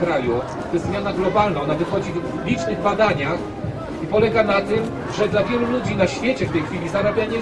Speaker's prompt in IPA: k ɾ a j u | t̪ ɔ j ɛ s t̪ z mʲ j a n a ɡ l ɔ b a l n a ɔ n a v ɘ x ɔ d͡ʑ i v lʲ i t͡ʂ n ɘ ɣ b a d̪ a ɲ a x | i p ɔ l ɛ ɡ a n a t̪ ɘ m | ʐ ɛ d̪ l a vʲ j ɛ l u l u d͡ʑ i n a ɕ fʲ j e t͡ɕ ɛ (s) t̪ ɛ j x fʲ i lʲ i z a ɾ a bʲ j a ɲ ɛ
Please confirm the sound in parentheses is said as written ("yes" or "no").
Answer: no